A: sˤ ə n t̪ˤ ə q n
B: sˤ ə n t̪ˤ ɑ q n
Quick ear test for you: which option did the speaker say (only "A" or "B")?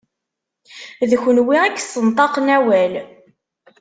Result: B